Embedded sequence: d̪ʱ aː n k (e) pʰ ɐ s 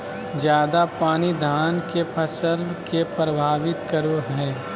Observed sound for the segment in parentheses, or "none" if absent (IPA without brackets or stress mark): e